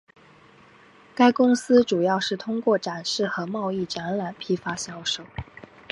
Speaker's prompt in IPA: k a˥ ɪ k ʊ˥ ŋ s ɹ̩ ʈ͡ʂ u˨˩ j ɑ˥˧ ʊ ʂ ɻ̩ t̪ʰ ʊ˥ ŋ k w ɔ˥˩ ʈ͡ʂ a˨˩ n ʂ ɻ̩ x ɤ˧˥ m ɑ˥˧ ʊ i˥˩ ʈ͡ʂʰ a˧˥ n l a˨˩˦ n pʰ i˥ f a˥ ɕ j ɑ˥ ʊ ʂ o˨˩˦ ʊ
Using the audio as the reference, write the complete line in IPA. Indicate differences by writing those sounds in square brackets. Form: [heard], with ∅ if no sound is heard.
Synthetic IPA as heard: k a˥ ɪ k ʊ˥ ŋ s ɹ̩ ʈ͡ʂ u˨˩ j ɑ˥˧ ʊ ʂ ɻ̩ t̪ʰ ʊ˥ ŋ k w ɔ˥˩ ʈ͡ʂ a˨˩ n ʂ ɻ̩ x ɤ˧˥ m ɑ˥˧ ʊ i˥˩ [ʈ͡ʂ] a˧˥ n l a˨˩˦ n pʰ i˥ f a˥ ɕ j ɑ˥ ʊ ʂ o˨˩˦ ʊ